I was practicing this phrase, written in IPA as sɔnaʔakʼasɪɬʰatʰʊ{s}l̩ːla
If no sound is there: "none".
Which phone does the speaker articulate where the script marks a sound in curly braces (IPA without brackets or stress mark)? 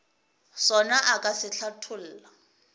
none